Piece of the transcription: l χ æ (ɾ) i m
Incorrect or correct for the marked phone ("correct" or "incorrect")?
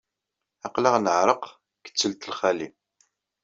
incorrect